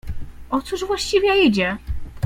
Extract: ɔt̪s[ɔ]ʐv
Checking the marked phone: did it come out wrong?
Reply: yes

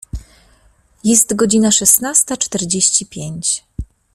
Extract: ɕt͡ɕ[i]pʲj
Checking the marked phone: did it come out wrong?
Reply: no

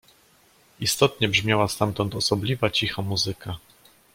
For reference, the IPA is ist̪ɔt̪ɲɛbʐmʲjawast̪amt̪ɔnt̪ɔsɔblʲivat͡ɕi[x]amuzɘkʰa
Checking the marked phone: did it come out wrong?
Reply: no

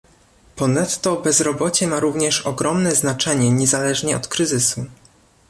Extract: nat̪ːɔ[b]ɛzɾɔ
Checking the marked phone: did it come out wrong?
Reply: no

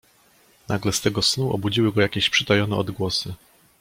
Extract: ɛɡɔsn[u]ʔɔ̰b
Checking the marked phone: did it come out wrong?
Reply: no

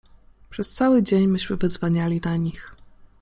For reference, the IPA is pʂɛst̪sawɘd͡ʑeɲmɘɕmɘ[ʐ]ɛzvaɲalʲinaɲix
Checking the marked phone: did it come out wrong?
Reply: yes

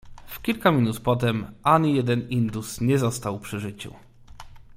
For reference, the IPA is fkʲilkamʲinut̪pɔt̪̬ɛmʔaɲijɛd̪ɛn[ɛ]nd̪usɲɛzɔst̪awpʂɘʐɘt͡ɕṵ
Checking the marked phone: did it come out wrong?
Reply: yes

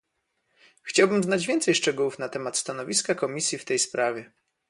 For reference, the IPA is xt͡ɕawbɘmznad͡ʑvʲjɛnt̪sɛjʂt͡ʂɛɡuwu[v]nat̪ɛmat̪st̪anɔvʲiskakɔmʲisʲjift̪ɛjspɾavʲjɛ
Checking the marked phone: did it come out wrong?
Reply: yes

